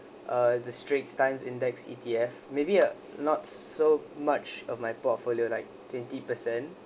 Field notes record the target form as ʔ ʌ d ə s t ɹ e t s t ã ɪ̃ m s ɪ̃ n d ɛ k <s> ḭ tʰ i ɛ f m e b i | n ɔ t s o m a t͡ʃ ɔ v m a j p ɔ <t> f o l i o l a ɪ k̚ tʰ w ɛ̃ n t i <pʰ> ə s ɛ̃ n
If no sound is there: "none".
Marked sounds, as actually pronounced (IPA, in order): s, t, p

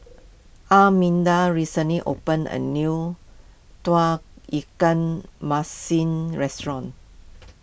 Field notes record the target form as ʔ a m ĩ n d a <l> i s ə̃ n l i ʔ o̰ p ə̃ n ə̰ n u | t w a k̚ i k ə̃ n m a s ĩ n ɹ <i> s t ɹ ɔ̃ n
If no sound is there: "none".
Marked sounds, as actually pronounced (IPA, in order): ɹ, ɛ

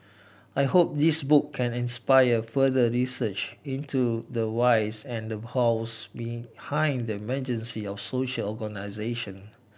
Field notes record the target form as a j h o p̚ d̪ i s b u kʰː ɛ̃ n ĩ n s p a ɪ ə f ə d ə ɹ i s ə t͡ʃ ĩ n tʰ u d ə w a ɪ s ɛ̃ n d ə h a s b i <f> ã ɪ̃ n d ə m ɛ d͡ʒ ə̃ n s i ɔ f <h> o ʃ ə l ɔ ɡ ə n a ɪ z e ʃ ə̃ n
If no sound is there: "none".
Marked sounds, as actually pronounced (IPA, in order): h, s

